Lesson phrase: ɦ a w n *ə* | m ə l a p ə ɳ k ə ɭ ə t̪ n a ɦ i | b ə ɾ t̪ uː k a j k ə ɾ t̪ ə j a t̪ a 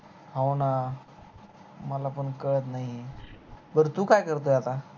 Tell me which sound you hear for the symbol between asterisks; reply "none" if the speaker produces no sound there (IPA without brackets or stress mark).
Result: a